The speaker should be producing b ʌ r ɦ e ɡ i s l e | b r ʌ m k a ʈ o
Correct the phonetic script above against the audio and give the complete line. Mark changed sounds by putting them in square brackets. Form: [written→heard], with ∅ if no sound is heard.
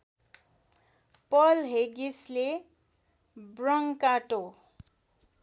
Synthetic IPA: [b→p] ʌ [r→l] ɦ e ɡ i s l e | b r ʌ [m→ŋ] k a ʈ o